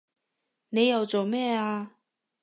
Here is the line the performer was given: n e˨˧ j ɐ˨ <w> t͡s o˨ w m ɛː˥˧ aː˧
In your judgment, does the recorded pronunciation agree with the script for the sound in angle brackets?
yes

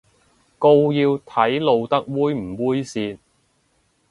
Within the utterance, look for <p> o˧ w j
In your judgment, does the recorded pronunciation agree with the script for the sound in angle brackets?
no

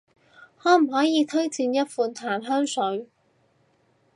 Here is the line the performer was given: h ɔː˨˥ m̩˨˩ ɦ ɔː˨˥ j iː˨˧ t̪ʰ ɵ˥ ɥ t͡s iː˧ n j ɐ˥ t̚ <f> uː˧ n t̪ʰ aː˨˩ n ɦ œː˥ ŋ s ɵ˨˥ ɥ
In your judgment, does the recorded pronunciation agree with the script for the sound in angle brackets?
yes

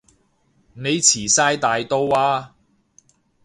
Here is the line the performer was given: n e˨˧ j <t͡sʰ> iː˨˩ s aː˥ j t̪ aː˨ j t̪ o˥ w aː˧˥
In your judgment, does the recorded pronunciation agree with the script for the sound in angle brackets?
yes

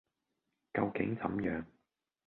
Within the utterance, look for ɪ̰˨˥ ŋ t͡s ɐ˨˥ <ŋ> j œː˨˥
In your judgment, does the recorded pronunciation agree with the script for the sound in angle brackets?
no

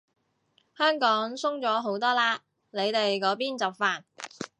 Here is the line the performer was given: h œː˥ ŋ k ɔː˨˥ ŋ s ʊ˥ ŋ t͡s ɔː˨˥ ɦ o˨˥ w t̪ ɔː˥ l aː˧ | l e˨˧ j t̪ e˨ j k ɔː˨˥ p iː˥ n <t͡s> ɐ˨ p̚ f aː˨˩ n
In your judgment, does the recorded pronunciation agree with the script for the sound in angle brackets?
yes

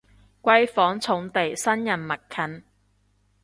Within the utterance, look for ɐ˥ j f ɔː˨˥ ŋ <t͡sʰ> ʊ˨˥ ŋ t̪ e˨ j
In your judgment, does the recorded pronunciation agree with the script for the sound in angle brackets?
yes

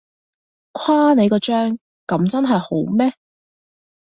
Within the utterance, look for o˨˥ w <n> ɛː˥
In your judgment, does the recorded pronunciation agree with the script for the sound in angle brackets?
no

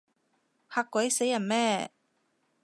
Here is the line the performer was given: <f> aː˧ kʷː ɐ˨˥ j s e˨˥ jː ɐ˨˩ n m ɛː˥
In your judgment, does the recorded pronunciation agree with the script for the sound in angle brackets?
no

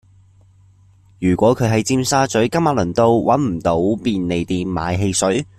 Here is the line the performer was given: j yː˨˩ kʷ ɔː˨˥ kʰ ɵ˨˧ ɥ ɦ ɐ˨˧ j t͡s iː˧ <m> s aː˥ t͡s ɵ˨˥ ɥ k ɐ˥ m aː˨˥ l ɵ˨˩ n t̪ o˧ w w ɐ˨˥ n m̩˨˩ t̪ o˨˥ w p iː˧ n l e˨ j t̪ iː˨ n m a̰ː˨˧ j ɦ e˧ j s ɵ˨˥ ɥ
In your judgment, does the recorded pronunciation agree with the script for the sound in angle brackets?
yes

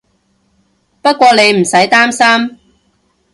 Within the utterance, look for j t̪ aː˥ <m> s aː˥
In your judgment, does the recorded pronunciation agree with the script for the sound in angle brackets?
yes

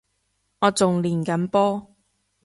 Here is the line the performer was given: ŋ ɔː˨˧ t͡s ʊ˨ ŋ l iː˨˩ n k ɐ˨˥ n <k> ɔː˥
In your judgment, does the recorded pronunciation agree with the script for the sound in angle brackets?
no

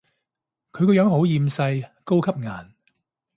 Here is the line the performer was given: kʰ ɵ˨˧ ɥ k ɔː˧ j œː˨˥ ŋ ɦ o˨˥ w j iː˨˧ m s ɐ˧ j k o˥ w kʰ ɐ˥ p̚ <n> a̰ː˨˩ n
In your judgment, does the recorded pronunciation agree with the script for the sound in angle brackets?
no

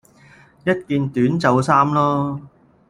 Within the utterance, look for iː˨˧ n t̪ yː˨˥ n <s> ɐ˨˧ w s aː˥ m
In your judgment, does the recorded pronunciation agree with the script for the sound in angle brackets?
no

